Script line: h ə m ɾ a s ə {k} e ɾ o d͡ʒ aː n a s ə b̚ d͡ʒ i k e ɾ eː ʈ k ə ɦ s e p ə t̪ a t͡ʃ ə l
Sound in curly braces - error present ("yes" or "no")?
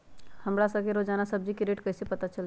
no